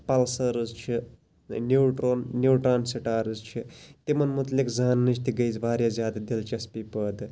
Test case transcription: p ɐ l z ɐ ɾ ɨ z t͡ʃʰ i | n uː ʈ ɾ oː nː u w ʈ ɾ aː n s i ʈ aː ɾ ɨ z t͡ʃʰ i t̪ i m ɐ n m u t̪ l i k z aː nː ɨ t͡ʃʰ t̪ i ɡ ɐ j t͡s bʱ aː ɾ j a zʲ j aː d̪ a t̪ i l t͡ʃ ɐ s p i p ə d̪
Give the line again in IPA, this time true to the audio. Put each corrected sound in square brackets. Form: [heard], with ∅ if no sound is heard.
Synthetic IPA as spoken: p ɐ l [s] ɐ ɾ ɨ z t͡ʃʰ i | n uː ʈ ɾ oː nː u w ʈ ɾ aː n s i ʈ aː ɾ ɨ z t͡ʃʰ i t̪ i m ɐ n m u t̪ l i k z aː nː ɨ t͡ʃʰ t̪ i ɡ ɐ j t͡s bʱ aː ɾ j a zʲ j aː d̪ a [d̪] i l t͡ʃ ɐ s p i p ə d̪